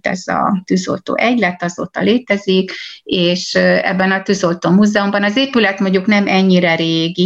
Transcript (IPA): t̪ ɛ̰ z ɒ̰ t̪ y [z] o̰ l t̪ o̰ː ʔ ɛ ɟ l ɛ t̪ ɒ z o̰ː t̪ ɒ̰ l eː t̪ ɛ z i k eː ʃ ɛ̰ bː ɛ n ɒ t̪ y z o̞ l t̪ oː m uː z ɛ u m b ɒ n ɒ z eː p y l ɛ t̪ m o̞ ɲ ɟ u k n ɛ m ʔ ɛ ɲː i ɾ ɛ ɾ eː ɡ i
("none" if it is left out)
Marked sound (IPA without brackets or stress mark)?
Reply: z